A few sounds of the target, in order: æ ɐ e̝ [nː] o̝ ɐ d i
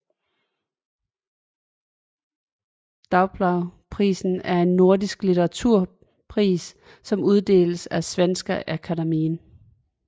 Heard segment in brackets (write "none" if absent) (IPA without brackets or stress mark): nː